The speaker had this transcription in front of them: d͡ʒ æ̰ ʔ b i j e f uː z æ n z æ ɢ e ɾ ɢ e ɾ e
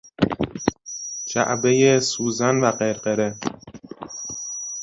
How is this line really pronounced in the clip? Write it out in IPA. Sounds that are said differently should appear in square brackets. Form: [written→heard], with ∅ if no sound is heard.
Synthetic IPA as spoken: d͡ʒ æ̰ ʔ b [i→e] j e [f→s] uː z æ n [z→v] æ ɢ e ɾ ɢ e ɾ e